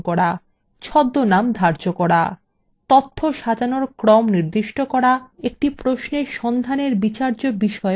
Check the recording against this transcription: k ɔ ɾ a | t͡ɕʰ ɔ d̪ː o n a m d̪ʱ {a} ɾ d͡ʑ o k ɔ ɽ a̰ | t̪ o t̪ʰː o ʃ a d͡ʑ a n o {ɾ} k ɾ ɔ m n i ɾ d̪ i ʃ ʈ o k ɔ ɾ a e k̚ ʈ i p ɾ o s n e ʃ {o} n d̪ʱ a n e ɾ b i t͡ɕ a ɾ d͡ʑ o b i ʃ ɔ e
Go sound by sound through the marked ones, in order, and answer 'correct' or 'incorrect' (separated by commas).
correct, correct, incorrect